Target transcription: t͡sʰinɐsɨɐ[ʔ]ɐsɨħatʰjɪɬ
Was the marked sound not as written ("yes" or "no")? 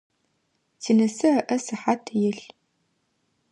no